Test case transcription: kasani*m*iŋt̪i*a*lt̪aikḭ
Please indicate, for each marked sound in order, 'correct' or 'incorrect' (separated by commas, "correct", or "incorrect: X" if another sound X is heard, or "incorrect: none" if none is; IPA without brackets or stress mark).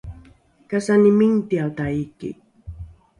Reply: correct, correct